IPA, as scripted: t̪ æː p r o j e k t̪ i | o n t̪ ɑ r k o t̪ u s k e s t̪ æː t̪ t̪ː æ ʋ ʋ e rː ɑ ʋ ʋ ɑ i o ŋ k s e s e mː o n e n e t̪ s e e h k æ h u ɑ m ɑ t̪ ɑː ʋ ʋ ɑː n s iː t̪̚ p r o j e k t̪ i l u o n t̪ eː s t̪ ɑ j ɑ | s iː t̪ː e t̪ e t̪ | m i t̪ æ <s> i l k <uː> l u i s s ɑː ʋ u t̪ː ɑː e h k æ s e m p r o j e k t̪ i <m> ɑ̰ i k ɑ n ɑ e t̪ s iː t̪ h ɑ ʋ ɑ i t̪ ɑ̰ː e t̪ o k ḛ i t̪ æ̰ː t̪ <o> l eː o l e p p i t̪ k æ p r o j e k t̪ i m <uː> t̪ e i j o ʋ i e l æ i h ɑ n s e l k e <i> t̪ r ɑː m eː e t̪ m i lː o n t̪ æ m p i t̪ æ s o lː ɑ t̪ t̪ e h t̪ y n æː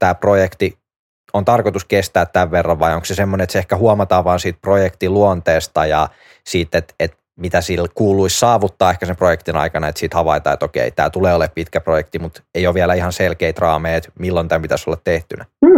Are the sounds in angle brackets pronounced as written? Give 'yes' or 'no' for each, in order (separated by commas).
yes, yes, no, no, no, yes